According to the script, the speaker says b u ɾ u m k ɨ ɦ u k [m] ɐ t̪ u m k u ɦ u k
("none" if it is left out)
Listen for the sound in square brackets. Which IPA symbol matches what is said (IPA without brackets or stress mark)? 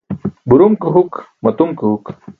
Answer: m